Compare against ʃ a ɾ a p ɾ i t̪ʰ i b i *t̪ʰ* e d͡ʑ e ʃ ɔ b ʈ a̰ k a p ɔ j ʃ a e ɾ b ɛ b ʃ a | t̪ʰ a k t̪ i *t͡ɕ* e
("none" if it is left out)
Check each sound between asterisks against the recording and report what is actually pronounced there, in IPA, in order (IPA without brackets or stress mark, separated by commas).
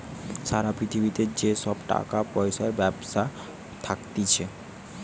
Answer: t̪, t͡ɕʰ